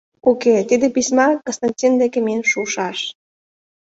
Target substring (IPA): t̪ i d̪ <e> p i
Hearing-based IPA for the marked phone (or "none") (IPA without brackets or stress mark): e